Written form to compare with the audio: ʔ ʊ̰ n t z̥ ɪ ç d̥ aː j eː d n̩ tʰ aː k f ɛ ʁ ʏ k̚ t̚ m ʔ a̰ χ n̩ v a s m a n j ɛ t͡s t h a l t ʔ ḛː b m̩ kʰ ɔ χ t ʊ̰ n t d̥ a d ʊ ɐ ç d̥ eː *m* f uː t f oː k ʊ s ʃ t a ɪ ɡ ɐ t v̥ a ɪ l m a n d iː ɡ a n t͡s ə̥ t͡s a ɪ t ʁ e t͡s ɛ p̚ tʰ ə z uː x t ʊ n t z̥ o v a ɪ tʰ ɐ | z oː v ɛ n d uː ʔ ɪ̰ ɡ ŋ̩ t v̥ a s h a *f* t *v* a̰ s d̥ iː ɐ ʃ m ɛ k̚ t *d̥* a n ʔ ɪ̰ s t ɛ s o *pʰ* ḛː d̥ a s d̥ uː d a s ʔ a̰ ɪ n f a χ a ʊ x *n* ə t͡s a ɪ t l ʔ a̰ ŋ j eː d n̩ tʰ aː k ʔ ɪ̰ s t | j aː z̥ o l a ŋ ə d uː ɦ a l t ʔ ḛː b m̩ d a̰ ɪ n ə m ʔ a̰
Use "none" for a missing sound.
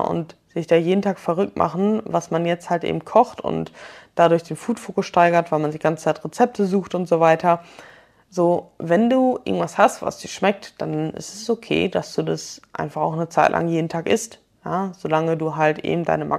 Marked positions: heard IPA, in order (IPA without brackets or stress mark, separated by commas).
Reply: n, s, v, d̥, kʰ, n